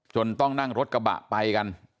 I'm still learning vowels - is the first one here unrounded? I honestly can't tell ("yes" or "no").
no